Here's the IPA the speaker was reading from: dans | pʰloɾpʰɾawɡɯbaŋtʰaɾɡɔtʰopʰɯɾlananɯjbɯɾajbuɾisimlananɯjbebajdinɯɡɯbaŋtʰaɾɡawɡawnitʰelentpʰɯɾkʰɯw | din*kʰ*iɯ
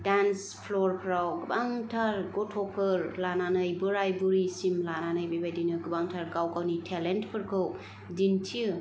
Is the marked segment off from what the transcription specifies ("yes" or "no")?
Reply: yes